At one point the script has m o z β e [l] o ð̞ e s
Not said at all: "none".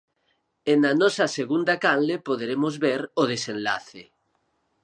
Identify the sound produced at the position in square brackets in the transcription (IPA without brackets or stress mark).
ɾ